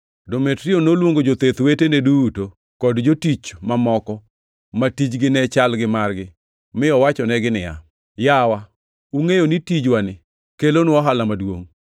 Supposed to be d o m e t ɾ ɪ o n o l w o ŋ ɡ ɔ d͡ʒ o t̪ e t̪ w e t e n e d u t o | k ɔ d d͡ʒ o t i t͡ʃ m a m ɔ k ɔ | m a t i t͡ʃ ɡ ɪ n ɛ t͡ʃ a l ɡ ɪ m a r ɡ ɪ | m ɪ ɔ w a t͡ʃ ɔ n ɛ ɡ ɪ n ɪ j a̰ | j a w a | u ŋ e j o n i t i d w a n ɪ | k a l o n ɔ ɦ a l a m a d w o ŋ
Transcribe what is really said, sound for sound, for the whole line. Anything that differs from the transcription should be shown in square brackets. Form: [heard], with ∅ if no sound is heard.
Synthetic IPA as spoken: d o m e t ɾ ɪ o n o l w o ŋ ɡ [o] d͡ʒ o t̪ e t̪ w e t e n e d u t o | k ɔ d d͡ʒ o t i t͡ʃ m a m ɔ k ɔ | m a t i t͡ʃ ɡ ɪ n ɛ t͡ʃ a l ɡ ɪ m a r ɡ ɪ | m ɪ ɔ w a t͡ʃ ɔ n ɛ ɡ ɪ n ɪ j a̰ | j a w a | u ŋ e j o n i t i [d͡ʒ] w a n ɪ | k [e] l o n ɔ ɦ a l a m a d w o ŋ